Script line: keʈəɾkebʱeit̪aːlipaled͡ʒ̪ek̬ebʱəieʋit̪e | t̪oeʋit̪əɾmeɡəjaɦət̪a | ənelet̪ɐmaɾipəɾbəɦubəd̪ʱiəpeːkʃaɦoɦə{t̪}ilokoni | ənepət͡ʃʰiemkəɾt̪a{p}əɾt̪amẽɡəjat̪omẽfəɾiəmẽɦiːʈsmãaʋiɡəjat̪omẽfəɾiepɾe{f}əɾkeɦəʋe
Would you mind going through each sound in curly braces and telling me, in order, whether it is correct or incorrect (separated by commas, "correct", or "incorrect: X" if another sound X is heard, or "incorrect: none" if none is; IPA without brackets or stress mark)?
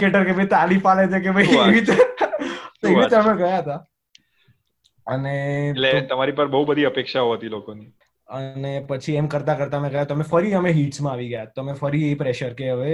correct, incorrect: k, incorrect: ʃ